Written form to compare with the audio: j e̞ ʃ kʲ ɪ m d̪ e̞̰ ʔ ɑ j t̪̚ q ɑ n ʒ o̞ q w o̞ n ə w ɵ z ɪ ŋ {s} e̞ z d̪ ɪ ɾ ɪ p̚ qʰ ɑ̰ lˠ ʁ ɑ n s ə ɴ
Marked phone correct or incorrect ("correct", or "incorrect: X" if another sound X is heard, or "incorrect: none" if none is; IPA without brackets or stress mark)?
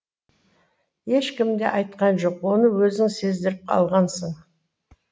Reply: correct